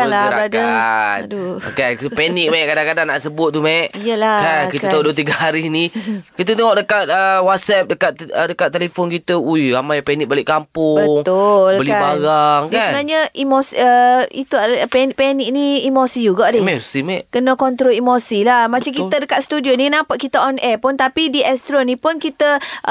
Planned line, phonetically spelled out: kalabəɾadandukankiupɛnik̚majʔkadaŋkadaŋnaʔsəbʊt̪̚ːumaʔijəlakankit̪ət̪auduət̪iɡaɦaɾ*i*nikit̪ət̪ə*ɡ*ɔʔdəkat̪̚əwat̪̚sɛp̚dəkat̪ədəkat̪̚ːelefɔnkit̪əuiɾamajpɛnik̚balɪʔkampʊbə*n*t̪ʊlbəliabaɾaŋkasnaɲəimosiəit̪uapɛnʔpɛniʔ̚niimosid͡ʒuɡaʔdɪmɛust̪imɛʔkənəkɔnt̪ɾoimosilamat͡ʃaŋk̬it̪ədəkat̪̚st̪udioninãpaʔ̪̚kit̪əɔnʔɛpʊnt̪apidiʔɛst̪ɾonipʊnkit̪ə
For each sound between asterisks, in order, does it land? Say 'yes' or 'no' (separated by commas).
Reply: yes, no, no